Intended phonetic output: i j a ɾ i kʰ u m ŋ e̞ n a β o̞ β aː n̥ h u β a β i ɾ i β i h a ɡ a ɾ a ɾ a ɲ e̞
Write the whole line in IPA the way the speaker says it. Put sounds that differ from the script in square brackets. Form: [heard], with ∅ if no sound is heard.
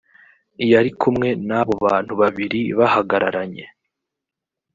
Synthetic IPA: i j a ɾ i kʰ u m ŋ e̞ n a β o̞ β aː n̥ h u β a β i ɾ i β [a] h a ɡ a ɾ a ɾ a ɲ e̞